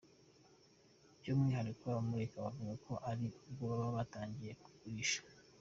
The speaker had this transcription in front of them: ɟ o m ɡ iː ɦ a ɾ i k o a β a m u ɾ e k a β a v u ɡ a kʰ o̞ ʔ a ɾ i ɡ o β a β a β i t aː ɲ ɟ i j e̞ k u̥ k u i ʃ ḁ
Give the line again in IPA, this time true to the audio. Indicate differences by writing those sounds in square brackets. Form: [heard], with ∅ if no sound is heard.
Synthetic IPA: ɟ o m [ŋ] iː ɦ a ɾ i k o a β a m u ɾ e k a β a v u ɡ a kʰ o̞ ʔ a ɾ i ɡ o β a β a β [a] t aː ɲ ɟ i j e̞ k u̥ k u i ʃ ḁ